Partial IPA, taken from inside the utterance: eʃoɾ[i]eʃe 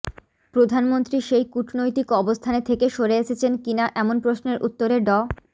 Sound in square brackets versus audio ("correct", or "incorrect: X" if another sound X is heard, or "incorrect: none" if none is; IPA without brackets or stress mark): incorrect: e